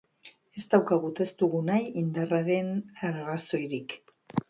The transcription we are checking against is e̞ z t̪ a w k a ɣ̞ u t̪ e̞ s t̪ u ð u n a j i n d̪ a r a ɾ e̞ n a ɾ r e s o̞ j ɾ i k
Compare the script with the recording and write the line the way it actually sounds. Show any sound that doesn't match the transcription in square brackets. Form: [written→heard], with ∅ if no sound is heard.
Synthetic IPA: e̞ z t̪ a w k a ɣ̞ u t̪ e̞ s t̪ u [ð→ɣ] u n a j i n d̪ a r a ɾ e̞ n a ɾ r [e→a] s o̞ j ɾ i k